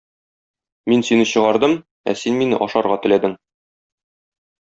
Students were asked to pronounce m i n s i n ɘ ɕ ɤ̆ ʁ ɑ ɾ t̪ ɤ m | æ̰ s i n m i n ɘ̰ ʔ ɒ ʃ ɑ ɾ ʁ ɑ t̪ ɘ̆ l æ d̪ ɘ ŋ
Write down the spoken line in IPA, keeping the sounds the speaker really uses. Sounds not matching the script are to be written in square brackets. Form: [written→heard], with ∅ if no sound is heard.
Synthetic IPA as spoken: m i n s i n ɘ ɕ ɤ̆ ʁ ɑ ɾ [t̪→d̪] ɤ m | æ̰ s i n m i n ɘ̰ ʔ ɒ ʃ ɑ ɾ ʁ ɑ t̪ ɘ̆ l æ d̪ ɘ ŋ